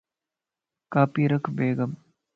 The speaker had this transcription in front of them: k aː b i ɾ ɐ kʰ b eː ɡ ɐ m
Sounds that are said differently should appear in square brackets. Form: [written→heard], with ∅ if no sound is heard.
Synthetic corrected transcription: k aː [b→p] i ɾ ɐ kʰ b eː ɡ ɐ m